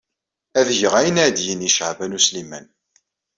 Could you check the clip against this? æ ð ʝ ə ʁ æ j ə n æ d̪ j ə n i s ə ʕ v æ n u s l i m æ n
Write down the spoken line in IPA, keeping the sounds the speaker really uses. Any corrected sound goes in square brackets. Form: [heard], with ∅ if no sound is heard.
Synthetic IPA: æ ð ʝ ə ʁ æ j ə n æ d̪ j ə n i [ʃ] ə ʕ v æ n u s l i m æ n